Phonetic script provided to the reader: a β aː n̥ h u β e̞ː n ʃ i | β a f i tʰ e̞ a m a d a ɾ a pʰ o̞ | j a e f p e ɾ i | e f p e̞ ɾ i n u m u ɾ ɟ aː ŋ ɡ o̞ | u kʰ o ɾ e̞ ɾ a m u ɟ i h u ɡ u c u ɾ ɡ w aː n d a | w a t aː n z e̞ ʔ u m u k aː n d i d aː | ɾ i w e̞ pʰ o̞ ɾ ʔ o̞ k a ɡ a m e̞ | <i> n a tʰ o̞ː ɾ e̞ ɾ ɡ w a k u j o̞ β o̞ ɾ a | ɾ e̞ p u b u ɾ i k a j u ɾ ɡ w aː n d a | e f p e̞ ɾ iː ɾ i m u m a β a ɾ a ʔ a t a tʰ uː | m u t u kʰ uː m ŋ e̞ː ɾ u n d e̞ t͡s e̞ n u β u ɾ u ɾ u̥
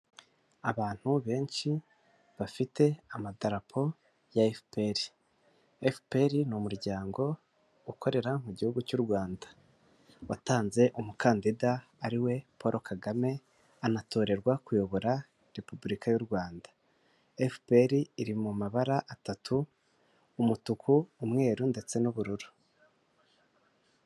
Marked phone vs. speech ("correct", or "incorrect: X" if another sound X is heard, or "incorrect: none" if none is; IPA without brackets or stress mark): incorrect: a